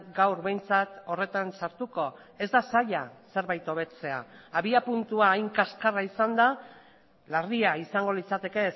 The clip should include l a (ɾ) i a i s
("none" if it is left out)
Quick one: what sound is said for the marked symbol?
r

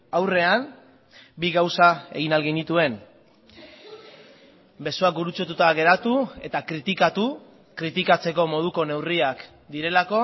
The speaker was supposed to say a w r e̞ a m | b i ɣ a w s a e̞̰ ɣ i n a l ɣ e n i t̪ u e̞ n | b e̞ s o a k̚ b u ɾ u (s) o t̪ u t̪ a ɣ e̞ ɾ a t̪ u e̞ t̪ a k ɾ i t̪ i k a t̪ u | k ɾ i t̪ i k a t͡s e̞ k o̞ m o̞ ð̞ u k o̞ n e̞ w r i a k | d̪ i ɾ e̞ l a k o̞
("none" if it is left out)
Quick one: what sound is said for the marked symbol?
t͡s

